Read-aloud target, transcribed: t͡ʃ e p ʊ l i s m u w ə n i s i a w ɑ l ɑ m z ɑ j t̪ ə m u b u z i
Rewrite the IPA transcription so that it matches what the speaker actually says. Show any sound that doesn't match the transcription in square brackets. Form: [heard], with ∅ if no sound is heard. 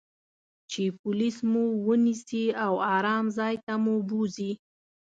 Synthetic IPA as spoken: t͡ʃ e p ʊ l i s m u w ə n i s i a w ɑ [ɾ] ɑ m z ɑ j t̪ [a] m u b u z i